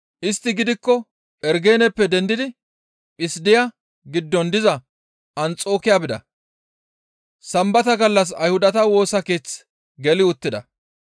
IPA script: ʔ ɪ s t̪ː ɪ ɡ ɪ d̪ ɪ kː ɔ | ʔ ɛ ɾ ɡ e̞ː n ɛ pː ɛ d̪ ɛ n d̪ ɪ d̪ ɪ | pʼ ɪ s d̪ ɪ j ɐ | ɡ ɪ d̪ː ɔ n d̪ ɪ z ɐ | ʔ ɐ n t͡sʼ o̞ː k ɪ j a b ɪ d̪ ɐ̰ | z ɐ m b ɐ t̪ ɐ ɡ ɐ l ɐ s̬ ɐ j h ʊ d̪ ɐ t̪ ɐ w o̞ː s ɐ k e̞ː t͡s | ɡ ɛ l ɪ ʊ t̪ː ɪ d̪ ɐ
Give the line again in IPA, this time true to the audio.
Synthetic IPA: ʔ ɪ s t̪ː ɪ ɡ ɪ d̪ ɪ kː ɔ | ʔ ɛ ɾ ɡ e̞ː n ɛ pː ɛ d̪ ɛ n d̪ ɪ d̪ ɪ | pʼ ɪ s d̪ ɪ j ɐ | ɡ ɪ d̪ː ɔ n d̪ ɪ z ɐ | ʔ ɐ n t͡sʼ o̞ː k ɪ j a b ɪ d̪ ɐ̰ | s ɐ m b ɐ t̪ ɐ ɡ ɐ lː ɐ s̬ ɐ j h ʊ d̪ ɐ t̪ ɐ w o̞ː s ɐ k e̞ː t͡s | ɡ ɛ l ɪ ʊ t̪ː ɪ d̪ ɐ

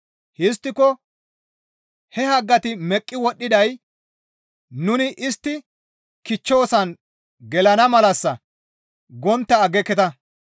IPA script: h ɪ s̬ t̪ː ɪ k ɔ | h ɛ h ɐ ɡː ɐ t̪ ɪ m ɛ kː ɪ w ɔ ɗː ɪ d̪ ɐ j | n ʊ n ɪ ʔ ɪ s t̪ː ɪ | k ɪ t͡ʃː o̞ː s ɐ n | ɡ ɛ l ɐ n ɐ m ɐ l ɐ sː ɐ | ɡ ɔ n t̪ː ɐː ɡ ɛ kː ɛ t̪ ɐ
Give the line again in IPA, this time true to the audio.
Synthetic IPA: h ɪ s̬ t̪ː ɪ k ɔ | h ɛ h ɐ ɡː ɐ t̪ ɪ m ɛ kʼː ɪ w ɔ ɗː ɪ d̪ ɐ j | n ʊ n ɪ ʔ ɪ s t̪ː ɪ | k ɪ t͡ʃː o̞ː s ɐ n | ɡ ɛ l ɐ n ɐ m ɐ l ɐ sː ɐ | ɡ ɔ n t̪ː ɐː ɡ ɛ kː ɛ t̪ ɐ

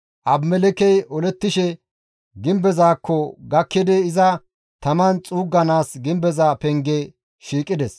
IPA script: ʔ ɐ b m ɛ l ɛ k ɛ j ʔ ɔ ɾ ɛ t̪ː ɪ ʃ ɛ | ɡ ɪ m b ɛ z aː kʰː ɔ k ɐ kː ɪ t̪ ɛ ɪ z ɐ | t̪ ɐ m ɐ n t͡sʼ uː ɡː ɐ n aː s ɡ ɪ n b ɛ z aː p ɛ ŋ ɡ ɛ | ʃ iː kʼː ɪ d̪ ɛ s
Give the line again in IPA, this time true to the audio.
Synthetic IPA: ʔ ɐ b m ɛ l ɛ k ɛ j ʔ ɔ l ɛ t̪ː ɪ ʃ ɛ | ɡ ɪ m b ɛ z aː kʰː ɔ ɡ ɐ kː ɪ d̪ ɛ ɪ z ɐ | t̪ ɐ m ɐ n t͡sʼ uː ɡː ɐ n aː s ɡ ɪ m b ɛ z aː p ɛ ŋ ɡ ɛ | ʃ iː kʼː ɪ d̪ ɛ s

